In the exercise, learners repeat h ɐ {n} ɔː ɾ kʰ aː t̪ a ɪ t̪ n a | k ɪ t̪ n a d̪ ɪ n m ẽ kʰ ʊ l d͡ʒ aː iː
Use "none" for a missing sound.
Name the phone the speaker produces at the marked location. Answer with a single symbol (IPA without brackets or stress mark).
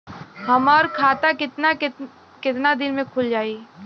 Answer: m